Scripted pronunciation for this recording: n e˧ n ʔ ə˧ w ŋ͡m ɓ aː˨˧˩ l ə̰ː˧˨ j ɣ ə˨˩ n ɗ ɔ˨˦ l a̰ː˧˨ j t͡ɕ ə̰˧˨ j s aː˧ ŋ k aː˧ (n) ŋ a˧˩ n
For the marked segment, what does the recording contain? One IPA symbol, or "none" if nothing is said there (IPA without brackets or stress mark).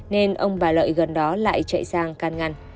n